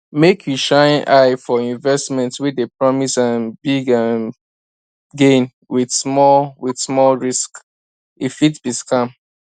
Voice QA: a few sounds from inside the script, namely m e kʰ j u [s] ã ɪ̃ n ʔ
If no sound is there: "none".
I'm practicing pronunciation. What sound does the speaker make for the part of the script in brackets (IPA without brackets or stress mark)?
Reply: ʃ